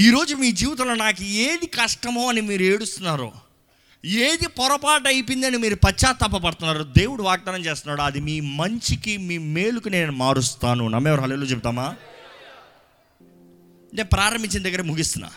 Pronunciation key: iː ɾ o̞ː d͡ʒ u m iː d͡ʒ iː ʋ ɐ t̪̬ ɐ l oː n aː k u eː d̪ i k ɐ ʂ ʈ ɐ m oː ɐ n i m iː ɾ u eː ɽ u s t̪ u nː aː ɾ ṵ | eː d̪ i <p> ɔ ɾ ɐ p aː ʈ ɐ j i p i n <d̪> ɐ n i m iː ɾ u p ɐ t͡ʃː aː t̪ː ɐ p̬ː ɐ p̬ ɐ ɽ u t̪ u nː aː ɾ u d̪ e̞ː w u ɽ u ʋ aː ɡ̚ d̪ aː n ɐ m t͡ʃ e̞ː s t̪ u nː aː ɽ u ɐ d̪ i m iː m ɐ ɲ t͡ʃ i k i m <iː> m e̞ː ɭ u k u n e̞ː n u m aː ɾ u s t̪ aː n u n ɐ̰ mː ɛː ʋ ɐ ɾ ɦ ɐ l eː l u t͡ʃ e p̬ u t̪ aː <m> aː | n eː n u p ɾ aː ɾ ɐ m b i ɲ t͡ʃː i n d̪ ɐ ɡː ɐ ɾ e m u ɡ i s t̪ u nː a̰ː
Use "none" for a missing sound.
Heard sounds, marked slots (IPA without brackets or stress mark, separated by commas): p, d̪, iː, m